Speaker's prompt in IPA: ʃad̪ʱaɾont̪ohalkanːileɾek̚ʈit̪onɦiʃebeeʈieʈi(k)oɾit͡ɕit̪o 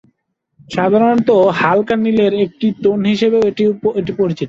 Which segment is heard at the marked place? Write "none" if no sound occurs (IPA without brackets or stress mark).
p